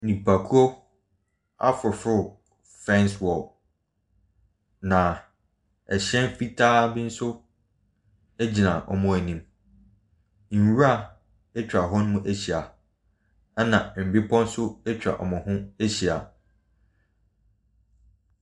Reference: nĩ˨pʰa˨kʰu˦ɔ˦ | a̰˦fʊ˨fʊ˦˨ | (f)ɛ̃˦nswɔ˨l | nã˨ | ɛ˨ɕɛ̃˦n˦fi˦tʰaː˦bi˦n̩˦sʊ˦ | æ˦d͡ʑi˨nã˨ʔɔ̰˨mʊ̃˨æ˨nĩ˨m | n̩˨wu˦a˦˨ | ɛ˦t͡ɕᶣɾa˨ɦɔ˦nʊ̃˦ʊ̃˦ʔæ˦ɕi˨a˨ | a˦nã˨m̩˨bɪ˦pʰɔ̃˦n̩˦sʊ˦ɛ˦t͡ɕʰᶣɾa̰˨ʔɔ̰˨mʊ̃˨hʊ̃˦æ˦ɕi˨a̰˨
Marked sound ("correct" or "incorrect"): correct